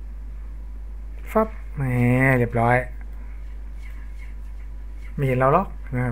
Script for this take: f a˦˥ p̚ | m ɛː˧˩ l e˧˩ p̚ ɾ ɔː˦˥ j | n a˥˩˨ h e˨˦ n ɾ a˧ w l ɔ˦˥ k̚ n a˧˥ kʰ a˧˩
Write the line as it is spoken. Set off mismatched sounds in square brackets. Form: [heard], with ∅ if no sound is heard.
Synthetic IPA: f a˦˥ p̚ | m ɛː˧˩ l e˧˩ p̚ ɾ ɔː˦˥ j | [m] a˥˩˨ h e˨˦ n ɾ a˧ w l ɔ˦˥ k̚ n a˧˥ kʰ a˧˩